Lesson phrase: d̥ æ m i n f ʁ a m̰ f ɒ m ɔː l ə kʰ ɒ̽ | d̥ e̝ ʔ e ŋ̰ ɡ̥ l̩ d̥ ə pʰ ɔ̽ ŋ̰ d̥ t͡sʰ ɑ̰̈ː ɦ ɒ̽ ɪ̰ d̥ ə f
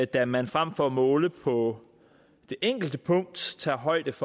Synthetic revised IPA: d̥ æ m æ n f ʁ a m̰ f ɒ m ɔː l ə pʰ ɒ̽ | d̥ e̝ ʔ e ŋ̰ ɡ̥ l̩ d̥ ə pʰ ɔ̽ ŋ̰ d̥ t͡sʰ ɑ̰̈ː ɦ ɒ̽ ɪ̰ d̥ ə f